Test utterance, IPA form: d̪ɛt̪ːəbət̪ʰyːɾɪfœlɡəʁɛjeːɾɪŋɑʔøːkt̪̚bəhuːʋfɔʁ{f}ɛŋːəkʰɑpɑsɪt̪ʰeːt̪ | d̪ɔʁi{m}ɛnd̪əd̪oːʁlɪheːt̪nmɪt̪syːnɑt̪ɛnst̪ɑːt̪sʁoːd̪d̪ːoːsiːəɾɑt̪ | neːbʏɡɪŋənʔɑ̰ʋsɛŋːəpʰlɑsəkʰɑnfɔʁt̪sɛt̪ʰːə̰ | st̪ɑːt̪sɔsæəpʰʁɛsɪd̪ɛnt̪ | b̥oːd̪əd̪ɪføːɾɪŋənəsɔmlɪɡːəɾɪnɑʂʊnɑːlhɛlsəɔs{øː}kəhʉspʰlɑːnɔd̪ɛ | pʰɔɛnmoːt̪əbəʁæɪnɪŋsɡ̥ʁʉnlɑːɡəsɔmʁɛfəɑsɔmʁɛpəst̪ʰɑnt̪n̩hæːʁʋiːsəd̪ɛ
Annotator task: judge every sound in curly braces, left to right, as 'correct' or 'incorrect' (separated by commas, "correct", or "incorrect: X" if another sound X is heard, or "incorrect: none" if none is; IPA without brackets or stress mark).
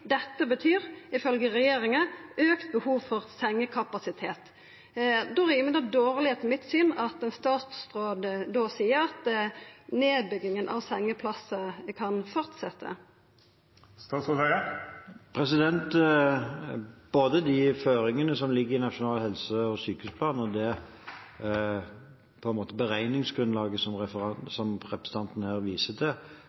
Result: incorrect: s, correct, incorrect: yː